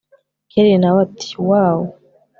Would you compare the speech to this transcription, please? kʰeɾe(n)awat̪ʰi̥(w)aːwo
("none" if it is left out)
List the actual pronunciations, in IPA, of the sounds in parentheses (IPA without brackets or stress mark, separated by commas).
n, w